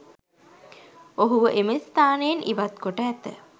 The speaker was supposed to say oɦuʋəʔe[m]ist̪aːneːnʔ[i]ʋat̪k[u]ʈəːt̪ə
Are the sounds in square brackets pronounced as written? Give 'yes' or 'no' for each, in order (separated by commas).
yes, yes, no